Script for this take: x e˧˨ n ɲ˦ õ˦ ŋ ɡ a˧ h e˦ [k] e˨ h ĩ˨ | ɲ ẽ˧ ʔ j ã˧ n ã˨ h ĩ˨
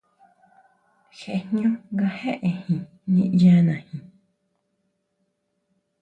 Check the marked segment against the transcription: incorrect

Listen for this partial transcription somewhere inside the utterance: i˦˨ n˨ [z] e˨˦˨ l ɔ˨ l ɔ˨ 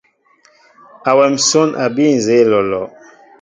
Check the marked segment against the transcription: correct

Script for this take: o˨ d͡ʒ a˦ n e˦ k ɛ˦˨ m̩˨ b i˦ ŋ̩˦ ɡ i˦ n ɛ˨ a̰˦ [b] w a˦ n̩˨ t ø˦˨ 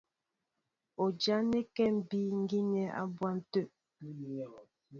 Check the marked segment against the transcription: correct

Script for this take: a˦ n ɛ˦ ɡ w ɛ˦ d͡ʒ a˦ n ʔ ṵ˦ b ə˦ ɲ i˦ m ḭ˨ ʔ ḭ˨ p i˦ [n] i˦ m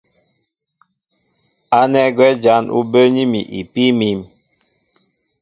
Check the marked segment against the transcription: incorrect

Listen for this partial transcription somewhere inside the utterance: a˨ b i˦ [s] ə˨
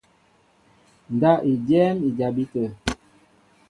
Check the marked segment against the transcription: incorrect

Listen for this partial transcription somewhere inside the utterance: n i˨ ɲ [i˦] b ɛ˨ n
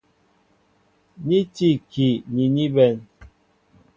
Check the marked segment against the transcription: correct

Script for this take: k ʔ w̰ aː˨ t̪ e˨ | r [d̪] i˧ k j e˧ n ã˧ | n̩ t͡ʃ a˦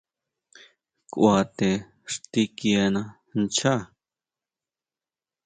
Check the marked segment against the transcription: incorrect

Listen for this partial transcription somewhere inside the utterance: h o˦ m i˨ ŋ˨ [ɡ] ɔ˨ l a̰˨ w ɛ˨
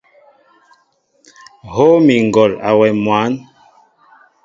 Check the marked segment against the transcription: correct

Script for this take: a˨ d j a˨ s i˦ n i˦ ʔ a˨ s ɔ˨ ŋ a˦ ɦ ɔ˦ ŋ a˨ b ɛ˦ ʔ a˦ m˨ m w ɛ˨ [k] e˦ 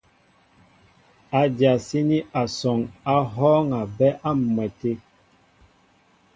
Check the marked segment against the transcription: incorrect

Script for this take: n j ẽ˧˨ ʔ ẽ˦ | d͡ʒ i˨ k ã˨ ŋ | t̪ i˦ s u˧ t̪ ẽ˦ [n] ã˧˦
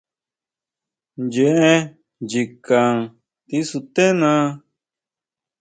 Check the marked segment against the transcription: correct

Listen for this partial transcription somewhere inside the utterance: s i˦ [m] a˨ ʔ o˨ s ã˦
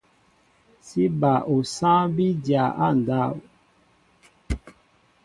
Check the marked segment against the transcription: incorrect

